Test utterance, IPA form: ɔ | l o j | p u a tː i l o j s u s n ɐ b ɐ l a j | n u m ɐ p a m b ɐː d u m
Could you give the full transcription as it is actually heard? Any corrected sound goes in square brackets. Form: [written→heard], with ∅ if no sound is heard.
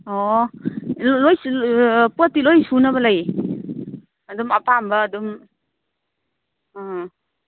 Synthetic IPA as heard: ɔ | l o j | p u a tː i l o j s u [s→∅] n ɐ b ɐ l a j | [n→d] u m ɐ p a m b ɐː d u m

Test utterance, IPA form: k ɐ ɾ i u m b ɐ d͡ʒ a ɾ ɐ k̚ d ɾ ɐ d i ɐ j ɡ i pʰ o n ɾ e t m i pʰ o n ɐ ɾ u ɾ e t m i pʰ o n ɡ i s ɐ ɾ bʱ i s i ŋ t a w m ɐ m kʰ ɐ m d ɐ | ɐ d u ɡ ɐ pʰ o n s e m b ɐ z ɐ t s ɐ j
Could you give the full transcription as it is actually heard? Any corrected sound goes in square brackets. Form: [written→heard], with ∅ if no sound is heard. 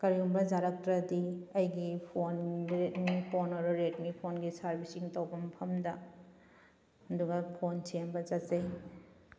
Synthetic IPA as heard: k ɐ ɾ i u m b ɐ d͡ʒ a ɾ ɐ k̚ [d→t] ɾ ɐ d i ɐ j ɡ i pʰ o n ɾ e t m i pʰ o n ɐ ɾ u ɾ e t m i pʰ o n ɡ i s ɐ ɾ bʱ i s i ŋ t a w [m→b] ɐ m [kʰ→pʰ] ɐ m d ɐ | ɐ d u ɡ ɐ pʰ o n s e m b ɐ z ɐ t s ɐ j

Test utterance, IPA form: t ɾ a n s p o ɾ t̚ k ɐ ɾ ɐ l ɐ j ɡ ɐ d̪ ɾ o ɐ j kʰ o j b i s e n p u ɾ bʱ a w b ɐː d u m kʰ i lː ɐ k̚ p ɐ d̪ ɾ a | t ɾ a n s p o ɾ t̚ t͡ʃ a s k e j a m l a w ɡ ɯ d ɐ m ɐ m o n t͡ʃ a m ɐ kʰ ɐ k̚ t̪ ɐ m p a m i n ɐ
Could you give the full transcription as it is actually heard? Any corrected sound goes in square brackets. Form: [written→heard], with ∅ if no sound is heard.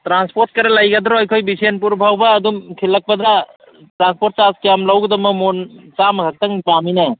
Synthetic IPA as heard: t ɾ a n s p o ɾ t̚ k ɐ ɾ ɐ l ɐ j ɡ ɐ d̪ ɾ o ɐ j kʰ o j b i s e n p u ɾ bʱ a w b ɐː d u m kʰ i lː ɐ k̚ p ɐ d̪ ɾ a | t ɾ a n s p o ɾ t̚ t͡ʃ a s k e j a m l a w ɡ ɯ d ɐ m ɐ m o n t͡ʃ a m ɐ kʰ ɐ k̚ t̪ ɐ [m→ŋ] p a m i n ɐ

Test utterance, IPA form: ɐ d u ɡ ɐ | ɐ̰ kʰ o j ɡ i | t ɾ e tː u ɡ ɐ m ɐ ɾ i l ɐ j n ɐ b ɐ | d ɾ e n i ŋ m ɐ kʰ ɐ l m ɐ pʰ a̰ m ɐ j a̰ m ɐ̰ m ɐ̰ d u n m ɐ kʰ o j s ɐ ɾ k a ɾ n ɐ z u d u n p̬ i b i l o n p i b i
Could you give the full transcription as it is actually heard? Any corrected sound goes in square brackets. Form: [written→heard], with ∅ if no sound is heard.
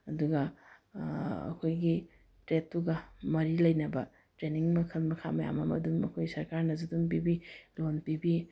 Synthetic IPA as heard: ɐ d u ɡ ɐ | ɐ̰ kʰ o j ɡ i | t ɾ e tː u ɡ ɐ m ɐ ɾ i l ɐ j n ɐ b ɐ | [d→t] ɾ e n i ŋ m ɐ kʰ ɐ l m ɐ [pʰ→kʰ] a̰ m ɐ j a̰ m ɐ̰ m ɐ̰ d u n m ɐ kʰ o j s ɐ ɾ k a ɾ n ɐ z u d u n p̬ i b i l o n p i b i

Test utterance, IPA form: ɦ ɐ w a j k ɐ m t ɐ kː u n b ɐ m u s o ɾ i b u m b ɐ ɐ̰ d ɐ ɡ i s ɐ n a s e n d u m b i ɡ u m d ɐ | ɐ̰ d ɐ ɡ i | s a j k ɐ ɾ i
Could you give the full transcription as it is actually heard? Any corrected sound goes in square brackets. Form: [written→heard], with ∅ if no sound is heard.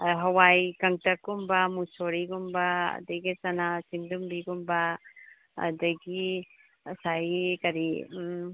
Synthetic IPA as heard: ɦ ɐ w a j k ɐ [m→ŋ] t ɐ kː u [n→m] b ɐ m u s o ɾ i [b→ɡ] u m b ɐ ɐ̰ d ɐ ɡ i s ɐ n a s [e→i] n d u m b i ɡ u m [d→b] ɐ | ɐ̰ d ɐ ɡ i | s a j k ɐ ɾ i

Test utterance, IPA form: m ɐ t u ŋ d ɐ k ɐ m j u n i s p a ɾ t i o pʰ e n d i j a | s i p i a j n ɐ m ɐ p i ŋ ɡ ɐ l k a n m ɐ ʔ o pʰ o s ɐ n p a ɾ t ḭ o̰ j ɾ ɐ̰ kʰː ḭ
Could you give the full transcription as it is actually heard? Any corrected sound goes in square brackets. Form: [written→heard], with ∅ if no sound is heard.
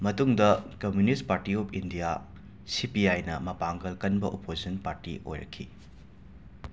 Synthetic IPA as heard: m ɐ t u ŋ d ɐ k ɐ m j u n i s p a ɾ t i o pʰ [e→i] n d i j a | s i p i a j n ɐ m ɐ p [i→a] ŋ ɡ ɐ l k [a→ɐ] n [m→b] ɐ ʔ o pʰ o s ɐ n p a ɾ t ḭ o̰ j ɾ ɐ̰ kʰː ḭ

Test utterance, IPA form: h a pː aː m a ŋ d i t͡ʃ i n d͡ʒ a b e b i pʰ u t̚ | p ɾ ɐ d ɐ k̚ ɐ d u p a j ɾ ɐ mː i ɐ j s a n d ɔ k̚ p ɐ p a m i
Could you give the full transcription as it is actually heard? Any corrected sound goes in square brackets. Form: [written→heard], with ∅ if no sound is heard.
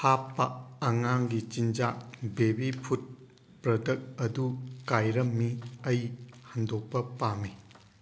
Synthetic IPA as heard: h a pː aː [m→ŋ] a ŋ [d→ɡ] i t͡ʃ i n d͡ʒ a b e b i pʰ u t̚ | p ɾ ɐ d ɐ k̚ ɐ d u [p→k] a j ɾ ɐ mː i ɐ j [s→h] a n d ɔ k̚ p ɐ p a m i

